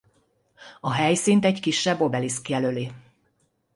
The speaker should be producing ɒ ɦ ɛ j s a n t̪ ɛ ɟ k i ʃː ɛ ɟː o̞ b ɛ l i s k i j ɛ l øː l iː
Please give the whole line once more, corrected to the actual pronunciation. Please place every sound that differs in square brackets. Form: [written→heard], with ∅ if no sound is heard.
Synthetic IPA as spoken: ɒ ɦ ɛ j s [a→i] n t̪ ɛ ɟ k i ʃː ɛ [ɟː→bː] o̞ b ɛ l i s k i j ɛ l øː l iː